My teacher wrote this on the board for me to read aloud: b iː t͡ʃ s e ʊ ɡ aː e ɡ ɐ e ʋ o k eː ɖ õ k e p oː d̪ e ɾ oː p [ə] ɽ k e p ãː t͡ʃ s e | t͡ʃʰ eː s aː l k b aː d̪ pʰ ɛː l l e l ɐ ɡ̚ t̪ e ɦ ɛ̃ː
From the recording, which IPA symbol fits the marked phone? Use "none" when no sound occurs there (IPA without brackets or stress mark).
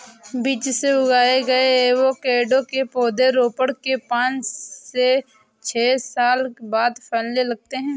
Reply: ə